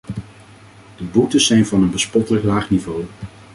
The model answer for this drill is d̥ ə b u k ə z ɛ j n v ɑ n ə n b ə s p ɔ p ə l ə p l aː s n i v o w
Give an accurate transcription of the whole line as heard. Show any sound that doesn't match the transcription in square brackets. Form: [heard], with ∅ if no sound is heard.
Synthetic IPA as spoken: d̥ ə b u [t] ə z ɛ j n v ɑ n ə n b ə s p ɔ [t] ə l ə [k] l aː [χ] n i v o w